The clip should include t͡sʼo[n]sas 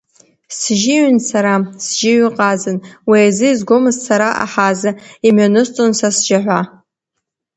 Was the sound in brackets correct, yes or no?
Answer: yes